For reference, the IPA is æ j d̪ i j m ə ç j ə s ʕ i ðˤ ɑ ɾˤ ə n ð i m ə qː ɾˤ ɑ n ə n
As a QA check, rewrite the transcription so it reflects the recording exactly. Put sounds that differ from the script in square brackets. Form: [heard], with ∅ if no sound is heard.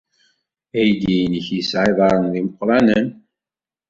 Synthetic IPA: æ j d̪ i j [n] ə ç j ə s ʕ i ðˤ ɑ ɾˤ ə n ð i m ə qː ɾˤ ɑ n ə n

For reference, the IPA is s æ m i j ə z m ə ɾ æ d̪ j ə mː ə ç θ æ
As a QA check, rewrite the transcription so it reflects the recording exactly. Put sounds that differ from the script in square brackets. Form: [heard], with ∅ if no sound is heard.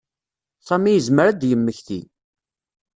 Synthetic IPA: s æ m i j ə z m ə ɾ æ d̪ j ə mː ə ç θ [i]

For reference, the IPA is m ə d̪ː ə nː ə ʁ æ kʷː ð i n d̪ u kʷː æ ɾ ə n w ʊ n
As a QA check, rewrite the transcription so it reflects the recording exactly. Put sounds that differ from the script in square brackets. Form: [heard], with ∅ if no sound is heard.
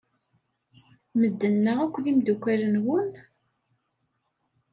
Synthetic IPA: m ə d̪ː ə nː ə ʁ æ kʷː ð i [m] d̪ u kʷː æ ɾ ə n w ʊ n

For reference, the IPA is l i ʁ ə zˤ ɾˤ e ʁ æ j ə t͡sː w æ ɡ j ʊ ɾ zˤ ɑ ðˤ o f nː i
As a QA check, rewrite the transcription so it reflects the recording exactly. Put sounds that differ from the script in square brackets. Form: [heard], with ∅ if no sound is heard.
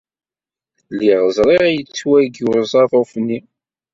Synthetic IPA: l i ʁ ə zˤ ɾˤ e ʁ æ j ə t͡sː w æ ɡ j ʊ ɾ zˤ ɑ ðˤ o f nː i

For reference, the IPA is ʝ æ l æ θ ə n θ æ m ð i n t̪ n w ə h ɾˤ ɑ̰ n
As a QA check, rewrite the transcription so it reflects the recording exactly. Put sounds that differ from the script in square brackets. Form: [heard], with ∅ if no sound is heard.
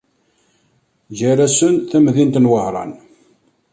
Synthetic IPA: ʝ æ [ɾ] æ [s] ə n θ æ m ð i n t̪ n w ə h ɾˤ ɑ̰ n

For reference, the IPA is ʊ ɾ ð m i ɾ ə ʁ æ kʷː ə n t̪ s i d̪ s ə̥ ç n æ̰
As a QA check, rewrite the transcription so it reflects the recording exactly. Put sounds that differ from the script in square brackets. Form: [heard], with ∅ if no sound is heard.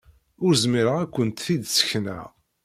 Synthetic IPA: ʊ ɾ [z] m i ɾ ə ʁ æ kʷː ə n t̪ [θ] i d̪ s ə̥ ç n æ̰

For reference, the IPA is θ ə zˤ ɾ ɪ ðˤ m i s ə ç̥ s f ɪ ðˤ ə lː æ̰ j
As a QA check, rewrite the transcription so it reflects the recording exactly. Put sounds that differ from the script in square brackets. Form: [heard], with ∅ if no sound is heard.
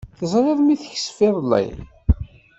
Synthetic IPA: θ ə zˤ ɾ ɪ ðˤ m i [θ] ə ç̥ s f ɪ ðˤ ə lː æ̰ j

